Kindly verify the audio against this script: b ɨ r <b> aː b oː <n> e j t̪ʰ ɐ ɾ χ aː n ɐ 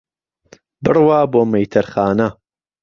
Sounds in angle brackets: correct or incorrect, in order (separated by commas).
incorrect, incorrect